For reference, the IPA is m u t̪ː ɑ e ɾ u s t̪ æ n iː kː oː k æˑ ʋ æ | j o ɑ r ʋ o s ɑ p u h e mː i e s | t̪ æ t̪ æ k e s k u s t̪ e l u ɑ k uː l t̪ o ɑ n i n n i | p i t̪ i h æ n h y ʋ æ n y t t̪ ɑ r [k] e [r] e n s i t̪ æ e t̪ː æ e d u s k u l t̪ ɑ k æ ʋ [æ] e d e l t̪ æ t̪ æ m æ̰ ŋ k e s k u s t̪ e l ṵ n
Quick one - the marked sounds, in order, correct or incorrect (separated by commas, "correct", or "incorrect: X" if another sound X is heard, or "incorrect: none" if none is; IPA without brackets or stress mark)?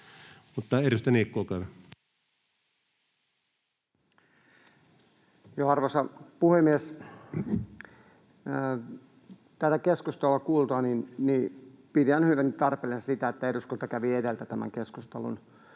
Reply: incorrect: p, incorrect: l, incorrect: i